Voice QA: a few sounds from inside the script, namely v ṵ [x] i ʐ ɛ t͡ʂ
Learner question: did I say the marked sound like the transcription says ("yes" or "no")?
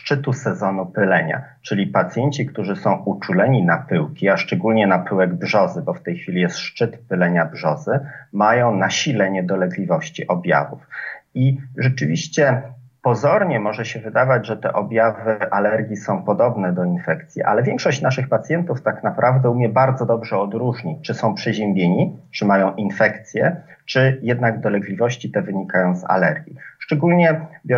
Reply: no